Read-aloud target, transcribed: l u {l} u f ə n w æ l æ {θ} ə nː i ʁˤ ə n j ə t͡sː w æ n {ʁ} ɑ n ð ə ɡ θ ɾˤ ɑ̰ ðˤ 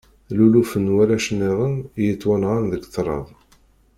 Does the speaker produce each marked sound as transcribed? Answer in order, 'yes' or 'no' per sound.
yes, no, yes

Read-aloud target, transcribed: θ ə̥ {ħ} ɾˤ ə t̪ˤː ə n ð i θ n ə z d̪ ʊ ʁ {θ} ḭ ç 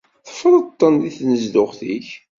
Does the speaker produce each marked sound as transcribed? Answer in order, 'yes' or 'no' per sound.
no, yes

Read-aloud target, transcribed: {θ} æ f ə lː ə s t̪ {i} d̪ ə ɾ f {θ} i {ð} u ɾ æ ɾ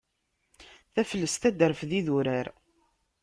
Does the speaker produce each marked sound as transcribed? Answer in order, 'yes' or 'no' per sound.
yes, no, no, yes

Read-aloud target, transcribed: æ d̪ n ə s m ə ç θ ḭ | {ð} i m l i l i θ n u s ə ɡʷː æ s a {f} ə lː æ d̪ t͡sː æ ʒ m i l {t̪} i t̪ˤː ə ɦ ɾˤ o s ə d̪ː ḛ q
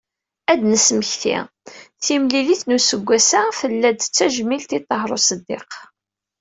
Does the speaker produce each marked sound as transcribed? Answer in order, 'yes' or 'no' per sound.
no, yes, yes

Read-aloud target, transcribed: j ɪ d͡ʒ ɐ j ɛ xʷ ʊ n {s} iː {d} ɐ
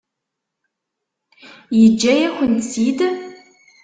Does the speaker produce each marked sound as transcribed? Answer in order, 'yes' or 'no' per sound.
yes, yes

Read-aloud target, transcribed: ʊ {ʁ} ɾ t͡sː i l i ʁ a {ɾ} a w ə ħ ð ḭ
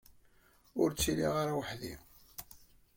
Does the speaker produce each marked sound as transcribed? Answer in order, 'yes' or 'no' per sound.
no, yes

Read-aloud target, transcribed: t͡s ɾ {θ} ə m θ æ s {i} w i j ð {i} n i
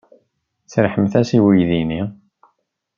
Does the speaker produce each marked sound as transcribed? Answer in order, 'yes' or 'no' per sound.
no, yes, yes

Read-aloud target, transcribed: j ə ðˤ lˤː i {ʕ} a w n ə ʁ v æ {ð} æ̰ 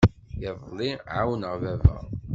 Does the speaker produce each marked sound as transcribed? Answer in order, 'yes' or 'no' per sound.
yes, no

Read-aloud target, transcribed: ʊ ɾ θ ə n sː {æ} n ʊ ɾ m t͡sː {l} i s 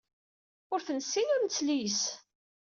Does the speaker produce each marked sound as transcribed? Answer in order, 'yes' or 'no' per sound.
no, yes

